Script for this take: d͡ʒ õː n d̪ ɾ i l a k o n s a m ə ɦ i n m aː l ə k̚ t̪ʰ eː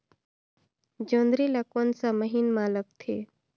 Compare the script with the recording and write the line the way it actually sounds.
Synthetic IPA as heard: d͡ʒ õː n d̪ ɾ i l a k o n s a m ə ɦ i n m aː l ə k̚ t̪ʰ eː